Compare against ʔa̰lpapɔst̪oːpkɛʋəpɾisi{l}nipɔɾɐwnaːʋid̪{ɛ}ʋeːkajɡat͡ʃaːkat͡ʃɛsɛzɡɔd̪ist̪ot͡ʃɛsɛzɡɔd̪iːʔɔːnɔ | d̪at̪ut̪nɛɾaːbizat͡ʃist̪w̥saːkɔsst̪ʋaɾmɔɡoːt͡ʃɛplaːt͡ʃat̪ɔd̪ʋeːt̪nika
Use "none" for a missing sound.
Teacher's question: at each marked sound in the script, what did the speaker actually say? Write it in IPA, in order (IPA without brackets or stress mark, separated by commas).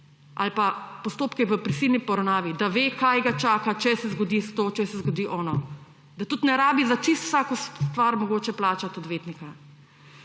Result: l, a